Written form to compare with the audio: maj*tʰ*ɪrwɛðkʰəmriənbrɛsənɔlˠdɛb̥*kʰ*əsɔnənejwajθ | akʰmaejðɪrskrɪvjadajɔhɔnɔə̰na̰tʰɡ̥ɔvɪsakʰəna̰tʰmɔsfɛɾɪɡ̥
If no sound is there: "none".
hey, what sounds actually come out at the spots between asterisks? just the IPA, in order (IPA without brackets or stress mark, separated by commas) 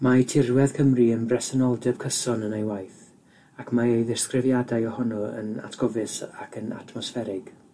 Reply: tʰ, kʰ